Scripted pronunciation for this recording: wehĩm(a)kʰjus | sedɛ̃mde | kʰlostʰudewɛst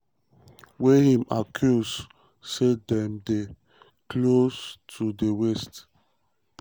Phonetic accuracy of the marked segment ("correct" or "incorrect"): correct